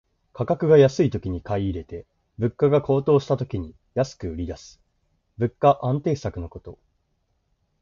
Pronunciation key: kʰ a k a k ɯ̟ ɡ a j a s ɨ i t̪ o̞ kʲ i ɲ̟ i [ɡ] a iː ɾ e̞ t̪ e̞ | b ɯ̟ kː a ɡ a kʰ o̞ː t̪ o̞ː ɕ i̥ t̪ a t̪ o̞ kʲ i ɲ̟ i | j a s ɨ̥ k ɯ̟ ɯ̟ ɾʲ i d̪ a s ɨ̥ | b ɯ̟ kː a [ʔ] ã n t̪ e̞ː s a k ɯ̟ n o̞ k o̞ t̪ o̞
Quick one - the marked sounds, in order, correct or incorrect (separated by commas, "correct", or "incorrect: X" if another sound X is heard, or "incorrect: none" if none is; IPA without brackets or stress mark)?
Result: incorrect: k, correct